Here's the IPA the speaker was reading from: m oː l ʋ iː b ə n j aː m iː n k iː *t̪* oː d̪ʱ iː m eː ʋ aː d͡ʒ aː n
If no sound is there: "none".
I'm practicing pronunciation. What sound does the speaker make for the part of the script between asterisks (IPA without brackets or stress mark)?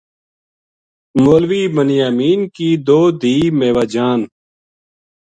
d̪